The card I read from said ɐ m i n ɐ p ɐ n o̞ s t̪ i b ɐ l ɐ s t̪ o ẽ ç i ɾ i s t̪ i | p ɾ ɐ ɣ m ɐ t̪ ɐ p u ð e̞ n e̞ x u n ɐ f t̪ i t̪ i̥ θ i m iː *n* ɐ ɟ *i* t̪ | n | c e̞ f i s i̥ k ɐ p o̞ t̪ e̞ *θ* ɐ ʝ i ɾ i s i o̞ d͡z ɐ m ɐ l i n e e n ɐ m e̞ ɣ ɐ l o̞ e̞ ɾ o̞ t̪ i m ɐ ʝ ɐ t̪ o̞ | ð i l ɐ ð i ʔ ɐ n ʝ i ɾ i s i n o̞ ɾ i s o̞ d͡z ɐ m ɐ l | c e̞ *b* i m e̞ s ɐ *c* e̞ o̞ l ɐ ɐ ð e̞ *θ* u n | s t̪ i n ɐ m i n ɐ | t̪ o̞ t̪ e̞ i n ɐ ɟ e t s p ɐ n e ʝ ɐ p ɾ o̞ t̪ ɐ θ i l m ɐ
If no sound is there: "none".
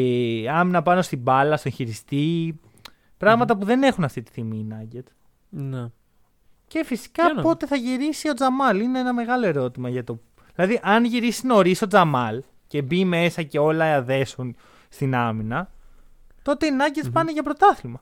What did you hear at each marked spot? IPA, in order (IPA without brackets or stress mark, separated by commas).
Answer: n, e, θ, b, c, s